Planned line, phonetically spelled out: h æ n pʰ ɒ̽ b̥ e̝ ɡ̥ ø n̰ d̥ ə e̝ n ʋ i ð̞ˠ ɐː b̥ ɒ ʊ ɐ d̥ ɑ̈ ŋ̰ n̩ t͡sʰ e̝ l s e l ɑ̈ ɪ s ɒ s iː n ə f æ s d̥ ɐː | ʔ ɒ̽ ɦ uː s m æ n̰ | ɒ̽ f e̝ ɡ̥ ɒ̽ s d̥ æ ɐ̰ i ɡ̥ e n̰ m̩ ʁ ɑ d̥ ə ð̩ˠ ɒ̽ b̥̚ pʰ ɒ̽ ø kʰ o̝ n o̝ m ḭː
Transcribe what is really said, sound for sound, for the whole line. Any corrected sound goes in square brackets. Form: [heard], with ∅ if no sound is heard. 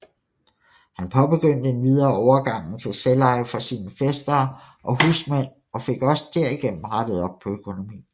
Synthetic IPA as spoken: h æ n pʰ ɒ̽ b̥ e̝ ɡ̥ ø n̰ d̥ ə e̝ n ʋ i ð̞ˠ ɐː [∅] ɒ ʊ ɐ [ɡ̥] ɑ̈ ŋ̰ n̩ t͡sʰ e̝ l s e l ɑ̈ ɪ [f] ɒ s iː n ə f [e] s d̥ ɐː | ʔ ɒ̽ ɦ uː s m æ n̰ | ɒ̽ f e̝ ɡ̥ ɒ̽ s d̥ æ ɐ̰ i ɡ̥ e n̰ m̩ ʁ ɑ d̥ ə ð̩ˠ ɒ̽ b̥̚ pʰ ɒ̽ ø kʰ o̝ n o̝ m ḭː